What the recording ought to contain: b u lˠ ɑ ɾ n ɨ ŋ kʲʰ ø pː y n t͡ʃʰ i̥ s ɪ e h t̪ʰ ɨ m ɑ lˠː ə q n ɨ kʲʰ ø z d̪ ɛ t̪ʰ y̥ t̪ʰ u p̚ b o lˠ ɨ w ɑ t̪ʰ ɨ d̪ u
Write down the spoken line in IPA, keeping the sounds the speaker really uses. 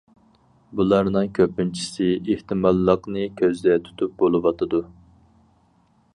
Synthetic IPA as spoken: b u lˠ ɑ ɾ n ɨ ŋ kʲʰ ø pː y n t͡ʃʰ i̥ s ɪ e h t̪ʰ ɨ m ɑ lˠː ə q n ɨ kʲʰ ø z d̪ ɛ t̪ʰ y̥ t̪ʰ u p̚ b o lˠ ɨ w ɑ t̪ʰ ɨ d̪ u